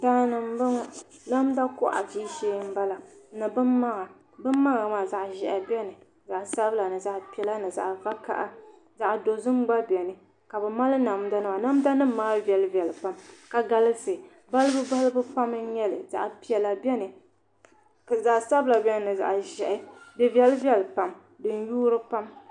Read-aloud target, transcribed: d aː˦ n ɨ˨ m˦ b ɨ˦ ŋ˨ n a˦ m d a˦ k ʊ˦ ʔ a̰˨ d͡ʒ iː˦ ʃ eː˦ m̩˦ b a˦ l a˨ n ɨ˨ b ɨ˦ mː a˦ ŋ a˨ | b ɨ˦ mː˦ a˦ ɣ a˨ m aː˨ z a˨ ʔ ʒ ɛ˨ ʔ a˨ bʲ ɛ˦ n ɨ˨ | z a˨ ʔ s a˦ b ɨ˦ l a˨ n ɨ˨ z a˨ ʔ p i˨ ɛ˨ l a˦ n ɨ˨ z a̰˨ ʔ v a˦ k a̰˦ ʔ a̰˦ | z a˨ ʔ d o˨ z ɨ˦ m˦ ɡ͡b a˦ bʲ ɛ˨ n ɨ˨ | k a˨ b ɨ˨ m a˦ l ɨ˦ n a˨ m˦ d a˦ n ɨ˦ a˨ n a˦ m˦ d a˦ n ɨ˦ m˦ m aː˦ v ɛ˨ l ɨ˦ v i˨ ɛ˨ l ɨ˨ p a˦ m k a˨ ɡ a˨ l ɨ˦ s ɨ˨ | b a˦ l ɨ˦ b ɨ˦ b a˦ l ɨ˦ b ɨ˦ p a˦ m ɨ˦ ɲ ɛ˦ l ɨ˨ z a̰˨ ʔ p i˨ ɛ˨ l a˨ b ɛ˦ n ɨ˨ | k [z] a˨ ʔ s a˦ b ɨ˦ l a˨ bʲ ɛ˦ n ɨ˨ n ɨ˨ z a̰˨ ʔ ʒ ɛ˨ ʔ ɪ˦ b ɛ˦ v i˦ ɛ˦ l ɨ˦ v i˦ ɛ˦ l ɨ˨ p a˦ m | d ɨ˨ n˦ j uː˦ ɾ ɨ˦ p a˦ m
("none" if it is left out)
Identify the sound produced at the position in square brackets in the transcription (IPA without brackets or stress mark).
z